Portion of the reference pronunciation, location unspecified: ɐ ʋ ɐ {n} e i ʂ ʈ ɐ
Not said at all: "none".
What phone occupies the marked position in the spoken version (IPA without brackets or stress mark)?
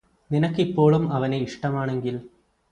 n